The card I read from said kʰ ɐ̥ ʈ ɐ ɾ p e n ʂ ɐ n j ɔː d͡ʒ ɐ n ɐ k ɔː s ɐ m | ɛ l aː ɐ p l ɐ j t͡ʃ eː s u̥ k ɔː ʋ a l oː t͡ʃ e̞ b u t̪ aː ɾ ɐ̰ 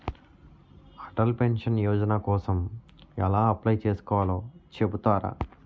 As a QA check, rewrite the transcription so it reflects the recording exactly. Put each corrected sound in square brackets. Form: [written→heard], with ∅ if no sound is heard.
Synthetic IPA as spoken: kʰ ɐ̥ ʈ ɐ [ɾ→l] p e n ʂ ɐ n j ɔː d͡ʒ ɐ n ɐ k ɔː s ɐ m | ɛ l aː ɐ p l ɐ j t͡ʃ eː s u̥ k ɔː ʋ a l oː t͡ʃ e̞ b u t̪ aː ɾ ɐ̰

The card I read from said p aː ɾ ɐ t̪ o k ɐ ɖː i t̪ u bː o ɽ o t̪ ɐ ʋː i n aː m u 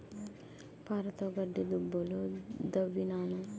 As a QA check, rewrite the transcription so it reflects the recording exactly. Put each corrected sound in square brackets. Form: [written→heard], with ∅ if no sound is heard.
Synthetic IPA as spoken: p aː ɾ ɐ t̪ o [k→ɡ] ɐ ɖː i [t̪→d̪] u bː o [ɽ→l] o [t̪→d̪] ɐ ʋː i n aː [m→n] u

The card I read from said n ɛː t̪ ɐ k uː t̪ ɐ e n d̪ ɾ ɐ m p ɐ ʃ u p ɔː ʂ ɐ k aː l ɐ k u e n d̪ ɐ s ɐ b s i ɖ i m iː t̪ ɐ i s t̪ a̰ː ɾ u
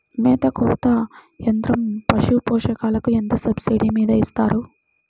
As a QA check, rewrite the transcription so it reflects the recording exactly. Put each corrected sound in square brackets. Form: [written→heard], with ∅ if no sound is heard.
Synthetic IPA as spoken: [n→m] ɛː t̪ ɐ k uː t̪ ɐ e n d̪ ɾ ɐ m p ɐ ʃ u p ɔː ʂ ɐ k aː l ɐ k u e n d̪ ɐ s ɐ b s i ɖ i m iː [t̪→d̪] ɐ i s t̪ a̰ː ɾ u

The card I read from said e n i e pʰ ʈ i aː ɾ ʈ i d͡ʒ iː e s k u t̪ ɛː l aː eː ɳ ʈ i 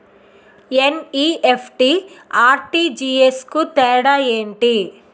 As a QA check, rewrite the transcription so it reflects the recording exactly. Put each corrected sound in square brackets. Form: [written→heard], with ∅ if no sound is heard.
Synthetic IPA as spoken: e n i e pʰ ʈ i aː ɾ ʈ i d͡ʒ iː e s k u t̪ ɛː [l→ɽ] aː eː ɳ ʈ i

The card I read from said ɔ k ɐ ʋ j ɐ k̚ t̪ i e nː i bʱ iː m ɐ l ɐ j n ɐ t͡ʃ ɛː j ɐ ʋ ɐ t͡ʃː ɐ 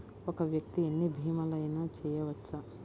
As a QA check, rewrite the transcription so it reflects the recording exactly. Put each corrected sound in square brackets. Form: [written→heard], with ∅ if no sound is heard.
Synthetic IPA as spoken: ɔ k ɐ ʋ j ɐ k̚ t̪ i e nː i bʱ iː m ɐ l ɐ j n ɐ t͡ʃ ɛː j ɐ ʋ ɐ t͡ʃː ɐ

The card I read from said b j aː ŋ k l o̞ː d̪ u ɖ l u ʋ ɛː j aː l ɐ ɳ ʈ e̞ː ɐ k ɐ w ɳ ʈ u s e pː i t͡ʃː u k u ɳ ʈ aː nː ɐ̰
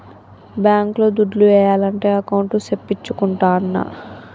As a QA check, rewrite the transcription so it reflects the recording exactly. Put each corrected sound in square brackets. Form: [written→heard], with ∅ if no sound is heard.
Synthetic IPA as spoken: b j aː ŋ k l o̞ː d̪ u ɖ l u ʋ ɛː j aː l ɐ ɳ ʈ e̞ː ɐ k ɐ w ɳ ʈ u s e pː i t͡ʃː u k u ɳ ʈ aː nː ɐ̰

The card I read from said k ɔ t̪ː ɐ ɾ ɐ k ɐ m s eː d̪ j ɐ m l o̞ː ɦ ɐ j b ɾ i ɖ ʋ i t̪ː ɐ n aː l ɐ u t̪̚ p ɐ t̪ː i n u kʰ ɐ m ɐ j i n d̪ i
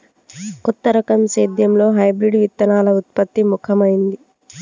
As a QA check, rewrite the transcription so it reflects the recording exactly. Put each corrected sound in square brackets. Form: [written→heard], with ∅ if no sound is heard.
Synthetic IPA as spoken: k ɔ t̪ː ɐ ɾ ɐ k ɐ m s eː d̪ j ɐ m l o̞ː ɦ ɐ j b ɾ i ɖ ʋ i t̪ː ɐ n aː l ɐ u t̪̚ p ɐ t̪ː i [n→m] u kʰ ɐ m ɐ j i n d̪ i

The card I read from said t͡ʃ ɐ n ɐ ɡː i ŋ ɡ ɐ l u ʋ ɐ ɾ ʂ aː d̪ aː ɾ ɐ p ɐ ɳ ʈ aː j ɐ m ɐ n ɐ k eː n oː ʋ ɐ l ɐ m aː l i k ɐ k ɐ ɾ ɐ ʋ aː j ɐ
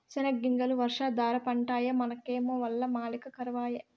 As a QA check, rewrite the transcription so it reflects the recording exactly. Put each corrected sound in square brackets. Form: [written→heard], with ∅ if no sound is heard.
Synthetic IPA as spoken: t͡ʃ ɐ n ɐ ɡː i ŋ ɡ ɐ l u ʋ ɐ ɾ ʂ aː d̪ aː ɾ ɐ p ɐ ɳ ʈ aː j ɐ m ɐ n ɐ k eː [n→m] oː ʋ ɐ [l→lː] ɐ m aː l i k ɐ k ɐ ɾ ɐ ʋ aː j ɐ

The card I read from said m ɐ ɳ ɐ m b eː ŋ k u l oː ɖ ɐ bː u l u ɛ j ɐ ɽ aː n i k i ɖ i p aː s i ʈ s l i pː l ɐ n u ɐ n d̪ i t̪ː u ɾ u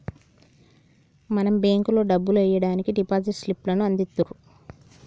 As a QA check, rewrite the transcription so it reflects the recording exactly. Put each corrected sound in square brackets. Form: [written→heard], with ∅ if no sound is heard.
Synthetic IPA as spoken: m ɐ [ɳ→n] ɐ m b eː ŋ k u l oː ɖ ɐ bː u l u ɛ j ɐ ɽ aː n i k i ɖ i p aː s i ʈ s l i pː l ɐ n u ɐ n d̪ i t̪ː u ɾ u

